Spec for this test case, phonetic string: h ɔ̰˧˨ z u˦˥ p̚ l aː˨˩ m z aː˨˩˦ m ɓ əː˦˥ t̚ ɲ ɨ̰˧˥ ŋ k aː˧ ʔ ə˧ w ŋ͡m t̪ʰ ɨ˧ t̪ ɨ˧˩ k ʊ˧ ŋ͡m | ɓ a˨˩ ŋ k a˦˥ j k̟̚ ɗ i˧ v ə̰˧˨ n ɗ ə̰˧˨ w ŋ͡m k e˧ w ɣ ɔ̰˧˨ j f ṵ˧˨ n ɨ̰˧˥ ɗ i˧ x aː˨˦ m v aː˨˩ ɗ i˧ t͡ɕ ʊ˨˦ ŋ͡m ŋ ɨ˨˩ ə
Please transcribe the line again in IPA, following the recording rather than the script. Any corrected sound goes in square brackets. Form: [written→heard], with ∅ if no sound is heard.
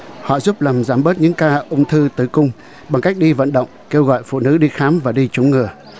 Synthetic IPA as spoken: h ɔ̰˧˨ z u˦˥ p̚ l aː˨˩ m z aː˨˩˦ m ɓ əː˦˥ t̚ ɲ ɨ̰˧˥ ŋ k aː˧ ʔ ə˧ w ŋ͡m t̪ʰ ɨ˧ t̪ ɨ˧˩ k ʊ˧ ŋ͡m | ɓ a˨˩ ŋ k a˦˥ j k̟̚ ɗ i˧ v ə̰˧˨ n ɗ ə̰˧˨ w ŋ͡m k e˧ w ɣ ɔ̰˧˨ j f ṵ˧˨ n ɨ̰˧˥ ɗ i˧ x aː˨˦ m v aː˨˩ ɗ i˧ t͡ɕ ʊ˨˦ ŋ͡m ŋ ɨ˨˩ ə